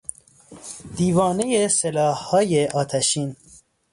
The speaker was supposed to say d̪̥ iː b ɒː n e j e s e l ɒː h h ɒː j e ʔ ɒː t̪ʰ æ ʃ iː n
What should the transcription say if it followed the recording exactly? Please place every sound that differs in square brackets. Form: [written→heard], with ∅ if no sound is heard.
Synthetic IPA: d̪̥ iː [b→v] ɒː n e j e s e l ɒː h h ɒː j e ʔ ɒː t̪ʰ æ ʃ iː n